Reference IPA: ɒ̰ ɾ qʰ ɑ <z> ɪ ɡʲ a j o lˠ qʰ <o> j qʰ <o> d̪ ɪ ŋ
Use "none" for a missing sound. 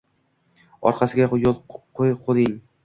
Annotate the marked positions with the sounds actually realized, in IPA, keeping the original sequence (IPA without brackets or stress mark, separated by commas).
s, o, o